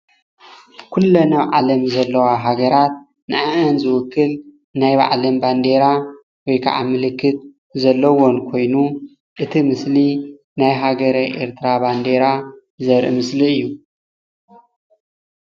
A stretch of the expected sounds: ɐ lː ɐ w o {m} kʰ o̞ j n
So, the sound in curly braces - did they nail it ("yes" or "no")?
no